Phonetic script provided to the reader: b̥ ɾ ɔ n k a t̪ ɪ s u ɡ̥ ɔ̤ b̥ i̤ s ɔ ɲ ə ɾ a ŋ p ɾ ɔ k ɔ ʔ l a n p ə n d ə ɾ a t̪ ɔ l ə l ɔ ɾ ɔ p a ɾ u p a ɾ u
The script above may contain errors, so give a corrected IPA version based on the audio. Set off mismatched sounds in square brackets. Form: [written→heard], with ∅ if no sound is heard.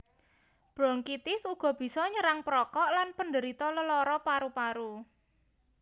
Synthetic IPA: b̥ ɾ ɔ [n→ŋ] k [a→i] t̪ ɪ s u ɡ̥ ɔ̤ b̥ i̤ s ɔ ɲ ə ɾ a ŋ p ɾ ɔ k ɔ ʔ l a n p ə n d ə ɾ [a→i] t̪ ɔ l ə l ɔ ɾ ɔ p a ɾ u p a ɾ u